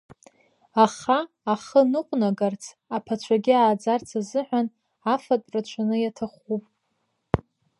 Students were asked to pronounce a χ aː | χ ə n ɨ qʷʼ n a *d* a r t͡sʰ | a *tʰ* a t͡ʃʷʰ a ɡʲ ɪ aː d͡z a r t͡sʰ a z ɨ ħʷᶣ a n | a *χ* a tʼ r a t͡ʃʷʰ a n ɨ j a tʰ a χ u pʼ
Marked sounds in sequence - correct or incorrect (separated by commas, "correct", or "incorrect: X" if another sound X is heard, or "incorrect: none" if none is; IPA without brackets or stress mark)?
incorrect: ɡ, incorrect: pʰ, incorrect: f